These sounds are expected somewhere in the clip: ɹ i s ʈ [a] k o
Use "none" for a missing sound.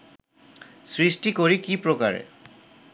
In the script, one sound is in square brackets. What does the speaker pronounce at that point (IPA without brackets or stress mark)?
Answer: i